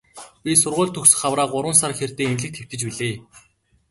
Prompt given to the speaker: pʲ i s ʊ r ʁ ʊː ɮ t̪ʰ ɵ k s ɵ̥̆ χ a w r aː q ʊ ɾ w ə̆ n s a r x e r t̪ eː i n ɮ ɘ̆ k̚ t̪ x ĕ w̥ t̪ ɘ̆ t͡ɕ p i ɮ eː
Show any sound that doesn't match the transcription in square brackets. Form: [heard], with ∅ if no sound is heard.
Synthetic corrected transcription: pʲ i s ʊ r ʁ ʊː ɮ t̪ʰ ɵ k s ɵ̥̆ χ a w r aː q ʊ ɾ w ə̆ n s a r x e r t̪ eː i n ɮ ɘ̆ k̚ t̪ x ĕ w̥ t̪ ɘ̆ t͡ɕ p i ɮ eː